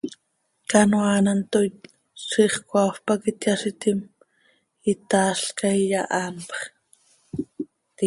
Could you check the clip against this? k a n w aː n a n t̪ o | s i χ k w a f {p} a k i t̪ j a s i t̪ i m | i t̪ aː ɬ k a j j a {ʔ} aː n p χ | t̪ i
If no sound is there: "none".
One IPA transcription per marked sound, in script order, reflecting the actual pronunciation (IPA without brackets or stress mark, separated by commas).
p, ʔ